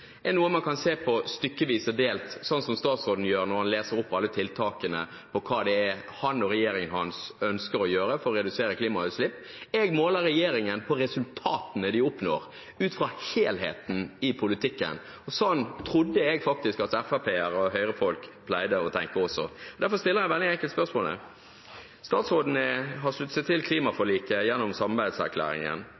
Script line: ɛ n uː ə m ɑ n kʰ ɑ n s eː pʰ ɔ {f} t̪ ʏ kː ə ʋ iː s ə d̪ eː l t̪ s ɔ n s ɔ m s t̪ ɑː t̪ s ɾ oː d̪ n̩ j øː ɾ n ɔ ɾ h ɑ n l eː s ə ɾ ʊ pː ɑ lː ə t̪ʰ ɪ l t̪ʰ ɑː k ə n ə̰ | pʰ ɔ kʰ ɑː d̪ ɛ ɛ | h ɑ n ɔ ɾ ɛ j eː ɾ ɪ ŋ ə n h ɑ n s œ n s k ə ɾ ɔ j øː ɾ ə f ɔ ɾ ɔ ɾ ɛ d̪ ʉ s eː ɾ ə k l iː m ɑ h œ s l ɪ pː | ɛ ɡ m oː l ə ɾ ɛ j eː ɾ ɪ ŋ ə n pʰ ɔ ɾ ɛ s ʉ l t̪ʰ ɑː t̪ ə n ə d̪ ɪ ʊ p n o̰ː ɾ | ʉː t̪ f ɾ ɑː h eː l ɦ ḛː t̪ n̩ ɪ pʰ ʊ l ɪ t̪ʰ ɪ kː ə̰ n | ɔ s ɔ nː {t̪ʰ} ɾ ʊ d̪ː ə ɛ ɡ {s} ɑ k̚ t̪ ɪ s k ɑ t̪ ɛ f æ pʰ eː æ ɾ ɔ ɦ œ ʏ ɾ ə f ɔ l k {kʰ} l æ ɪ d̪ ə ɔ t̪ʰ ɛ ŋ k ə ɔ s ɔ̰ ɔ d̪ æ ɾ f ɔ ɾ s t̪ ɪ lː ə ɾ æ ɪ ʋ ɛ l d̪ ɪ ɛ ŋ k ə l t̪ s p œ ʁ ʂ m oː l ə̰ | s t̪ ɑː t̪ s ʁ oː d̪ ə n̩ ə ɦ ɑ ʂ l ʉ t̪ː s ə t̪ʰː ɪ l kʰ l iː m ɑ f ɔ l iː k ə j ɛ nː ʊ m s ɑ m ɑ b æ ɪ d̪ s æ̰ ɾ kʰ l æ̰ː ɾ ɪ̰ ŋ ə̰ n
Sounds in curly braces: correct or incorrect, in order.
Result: incorrect, correct, incorrect, incorrect

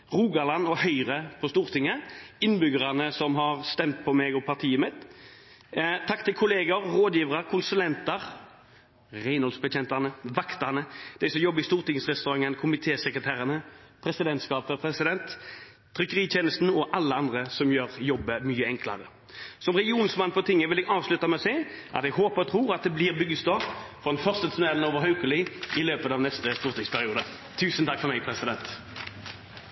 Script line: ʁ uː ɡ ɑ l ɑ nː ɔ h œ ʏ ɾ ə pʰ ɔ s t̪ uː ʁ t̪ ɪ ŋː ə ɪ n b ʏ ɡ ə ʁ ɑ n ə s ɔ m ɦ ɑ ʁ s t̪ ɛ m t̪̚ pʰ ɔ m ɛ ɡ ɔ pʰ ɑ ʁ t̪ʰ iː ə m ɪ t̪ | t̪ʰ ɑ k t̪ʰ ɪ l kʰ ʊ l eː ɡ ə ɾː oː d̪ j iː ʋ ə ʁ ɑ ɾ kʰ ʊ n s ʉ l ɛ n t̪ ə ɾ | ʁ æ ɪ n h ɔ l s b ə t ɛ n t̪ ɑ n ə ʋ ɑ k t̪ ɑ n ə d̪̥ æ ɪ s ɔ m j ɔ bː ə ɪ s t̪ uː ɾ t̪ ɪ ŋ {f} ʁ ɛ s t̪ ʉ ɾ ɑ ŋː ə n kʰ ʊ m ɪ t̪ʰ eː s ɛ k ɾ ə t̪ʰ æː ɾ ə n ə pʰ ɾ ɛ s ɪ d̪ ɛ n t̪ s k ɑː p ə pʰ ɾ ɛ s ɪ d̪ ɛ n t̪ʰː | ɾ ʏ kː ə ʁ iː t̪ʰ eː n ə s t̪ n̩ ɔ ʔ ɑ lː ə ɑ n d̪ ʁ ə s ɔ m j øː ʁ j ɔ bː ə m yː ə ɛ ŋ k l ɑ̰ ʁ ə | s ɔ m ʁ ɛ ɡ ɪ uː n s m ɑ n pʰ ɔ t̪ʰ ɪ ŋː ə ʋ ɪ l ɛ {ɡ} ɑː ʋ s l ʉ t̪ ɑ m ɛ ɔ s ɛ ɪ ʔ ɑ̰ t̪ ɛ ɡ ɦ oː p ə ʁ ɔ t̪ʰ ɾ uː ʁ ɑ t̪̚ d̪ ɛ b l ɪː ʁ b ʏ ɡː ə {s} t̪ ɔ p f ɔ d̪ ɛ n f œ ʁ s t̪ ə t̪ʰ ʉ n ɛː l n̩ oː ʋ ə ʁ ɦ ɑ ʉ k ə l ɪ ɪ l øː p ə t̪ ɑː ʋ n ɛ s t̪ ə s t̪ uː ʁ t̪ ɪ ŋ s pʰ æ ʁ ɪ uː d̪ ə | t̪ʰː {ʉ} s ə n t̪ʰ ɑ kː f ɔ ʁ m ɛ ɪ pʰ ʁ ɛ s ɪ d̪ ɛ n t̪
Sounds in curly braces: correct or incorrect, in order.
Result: incorrect, correct, correct, incorrect

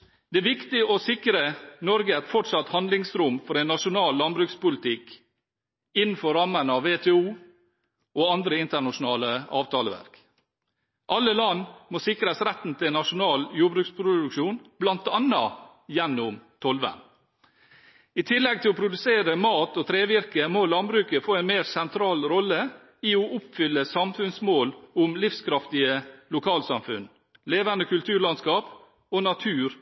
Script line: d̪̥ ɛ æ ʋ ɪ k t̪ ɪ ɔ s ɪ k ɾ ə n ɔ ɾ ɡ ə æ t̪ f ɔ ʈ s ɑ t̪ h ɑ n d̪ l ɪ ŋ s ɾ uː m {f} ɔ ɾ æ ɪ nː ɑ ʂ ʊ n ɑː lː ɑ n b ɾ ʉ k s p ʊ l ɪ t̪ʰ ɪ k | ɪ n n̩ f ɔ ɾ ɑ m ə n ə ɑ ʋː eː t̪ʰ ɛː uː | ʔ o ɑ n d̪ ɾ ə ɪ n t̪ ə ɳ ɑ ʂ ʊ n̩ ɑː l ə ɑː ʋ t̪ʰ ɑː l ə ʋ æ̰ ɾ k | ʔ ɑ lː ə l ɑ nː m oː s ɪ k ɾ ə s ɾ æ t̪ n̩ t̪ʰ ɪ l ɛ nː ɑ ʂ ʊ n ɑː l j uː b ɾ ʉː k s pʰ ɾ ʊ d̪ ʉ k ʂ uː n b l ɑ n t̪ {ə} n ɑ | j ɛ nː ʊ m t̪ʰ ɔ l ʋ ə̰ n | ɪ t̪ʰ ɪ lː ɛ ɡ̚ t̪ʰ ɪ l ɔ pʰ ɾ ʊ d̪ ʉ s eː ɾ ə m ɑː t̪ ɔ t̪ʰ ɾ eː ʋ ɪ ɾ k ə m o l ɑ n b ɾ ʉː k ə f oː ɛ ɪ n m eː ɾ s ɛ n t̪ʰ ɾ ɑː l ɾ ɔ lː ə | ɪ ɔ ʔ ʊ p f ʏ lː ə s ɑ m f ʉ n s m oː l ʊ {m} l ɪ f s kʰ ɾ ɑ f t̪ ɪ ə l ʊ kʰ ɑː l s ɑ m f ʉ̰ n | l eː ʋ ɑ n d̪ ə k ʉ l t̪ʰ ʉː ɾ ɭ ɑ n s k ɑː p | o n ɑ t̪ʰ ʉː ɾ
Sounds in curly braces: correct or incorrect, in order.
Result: correct, incorrect, correct

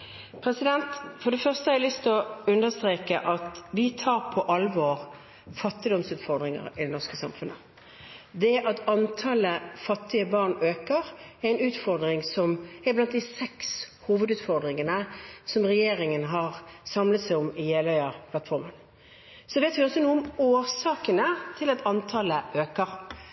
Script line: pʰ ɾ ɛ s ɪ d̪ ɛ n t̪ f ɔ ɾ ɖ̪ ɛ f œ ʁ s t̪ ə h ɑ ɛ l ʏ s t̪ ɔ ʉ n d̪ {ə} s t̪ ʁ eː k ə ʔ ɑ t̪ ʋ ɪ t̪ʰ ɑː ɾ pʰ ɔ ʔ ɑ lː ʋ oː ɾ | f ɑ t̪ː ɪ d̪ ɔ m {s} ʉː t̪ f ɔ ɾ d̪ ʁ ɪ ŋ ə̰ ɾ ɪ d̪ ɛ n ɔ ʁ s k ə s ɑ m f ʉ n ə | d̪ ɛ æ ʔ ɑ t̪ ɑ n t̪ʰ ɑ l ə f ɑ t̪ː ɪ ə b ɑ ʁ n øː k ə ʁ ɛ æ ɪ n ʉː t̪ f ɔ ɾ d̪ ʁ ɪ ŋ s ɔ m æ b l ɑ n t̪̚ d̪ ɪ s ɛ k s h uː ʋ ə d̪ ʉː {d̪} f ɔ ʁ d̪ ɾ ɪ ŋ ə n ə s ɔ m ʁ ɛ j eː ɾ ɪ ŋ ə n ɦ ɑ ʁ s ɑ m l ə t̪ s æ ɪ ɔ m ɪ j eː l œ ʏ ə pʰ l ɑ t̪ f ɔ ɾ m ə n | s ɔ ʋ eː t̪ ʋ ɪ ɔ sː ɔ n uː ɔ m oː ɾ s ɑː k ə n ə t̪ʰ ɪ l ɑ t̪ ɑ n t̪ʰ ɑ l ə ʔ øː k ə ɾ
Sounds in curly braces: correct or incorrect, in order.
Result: correct, correct, incorrect

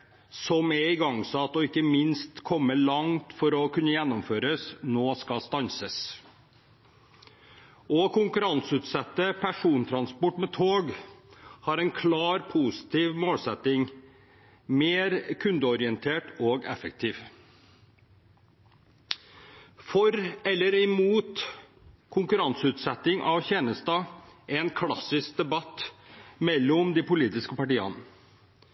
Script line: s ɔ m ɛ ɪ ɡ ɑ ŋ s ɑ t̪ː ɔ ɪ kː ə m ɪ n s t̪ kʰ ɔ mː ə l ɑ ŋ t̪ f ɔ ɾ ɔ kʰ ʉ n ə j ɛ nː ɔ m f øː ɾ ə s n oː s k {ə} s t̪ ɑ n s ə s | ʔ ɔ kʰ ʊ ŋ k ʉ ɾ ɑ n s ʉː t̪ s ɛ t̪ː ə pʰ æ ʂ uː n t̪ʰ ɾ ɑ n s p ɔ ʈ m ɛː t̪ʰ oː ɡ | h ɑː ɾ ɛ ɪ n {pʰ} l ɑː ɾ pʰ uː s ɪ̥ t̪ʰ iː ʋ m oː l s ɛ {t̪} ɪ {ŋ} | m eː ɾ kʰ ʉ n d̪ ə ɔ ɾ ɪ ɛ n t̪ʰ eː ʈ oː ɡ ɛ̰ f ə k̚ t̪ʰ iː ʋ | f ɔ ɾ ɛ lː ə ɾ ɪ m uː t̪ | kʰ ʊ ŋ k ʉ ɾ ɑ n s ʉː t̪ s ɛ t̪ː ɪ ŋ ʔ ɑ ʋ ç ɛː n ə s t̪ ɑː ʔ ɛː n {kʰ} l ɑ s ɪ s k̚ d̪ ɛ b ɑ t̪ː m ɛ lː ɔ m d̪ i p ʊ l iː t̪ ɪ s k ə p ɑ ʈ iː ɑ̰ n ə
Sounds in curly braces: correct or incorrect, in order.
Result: incorrect, incorrect, correct, correct, correct

